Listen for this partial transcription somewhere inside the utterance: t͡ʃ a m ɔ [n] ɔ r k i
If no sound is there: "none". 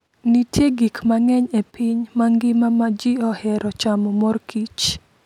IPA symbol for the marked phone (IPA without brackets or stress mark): m